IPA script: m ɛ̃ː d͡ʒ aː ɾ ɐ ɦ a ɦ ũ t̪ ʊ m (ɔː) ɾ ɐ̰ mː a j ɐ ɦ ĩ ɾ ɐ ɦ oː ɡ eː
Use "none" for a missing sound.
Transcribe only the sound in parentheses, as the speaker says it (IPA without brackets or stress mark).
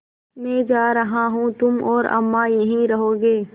ɔː